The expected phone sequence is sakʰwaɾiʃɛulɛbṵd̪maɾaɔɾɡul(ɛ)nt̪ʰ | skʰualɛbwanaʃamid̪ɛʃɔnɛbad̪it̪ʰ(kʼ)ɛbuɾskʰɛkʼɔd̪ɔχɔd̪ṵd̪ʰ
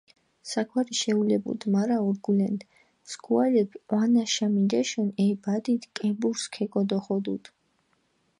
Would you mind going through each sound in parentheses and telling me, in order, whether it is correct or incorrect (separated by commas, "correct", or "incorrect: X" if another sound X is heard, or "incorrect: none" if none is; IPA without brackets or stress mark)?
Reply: correct, correct